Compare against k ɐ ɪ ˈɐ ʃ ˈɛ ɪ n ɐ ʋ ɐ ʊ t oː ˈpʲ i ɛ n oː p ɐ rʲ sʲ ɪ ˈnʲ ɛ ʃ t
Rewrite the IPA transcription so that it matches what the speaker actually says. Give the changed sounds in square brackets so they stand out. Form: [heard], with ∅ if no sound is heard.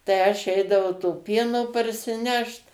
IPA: [t] ɐ ɪ ˈɐ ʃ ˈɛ ɪ [d] ɐ ʋ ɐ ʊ t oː ˈpʲ i ɛ n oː p ɐ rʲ sʲ ɪ ˈnʲ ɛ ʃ t